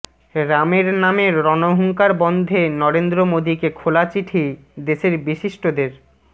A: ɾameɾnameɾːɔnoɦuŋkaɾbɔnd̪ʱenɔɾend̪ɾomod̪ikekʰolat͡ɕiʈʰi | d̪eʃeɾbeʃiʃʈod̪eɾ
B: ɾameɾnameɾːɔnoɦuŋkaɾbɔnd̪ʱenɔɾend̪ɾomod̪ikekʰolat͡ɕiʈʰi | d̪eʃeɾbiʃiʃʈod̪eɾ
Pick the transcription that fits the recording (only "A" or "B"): B